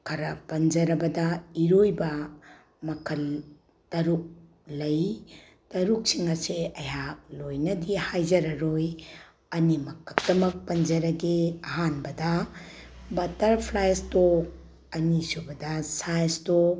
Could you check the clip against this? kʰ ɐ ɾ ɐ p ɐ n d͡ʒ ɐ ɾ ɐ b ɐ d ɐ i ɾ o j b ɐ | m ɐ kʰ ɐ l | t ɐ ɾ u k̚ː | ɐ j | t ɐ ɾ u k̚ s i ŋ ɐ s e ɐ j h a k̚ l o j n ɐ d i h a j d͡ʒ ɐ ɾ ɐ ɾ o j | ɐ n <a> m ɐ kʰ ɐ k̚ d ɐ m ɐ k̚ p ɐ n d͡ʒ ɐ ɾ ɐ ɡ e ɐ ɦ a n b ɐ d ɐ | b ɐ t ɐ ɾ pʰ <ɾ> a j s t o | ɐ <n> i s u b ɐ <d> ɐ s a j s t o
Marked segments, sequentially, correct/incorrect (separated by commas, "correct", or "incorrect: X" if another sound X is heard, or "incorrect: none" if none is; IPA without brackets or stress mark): incorrect: i, incorrect: l, correct, correct